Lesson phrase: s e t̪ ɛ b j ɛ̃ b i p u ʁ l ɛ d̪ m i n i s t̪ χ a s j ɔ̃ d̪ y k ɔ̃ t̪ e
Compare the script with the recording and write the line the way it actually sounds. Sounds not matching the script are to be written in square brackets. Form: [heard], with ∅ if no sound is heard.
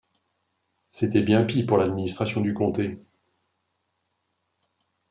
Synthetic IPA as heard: s e t̪ ɛ b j ɛ̃ [p] i p u ʁ l [a] d̪ m i n i s t̪ χ a s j ɔ̃ d̪ y k ɔ̃ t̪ e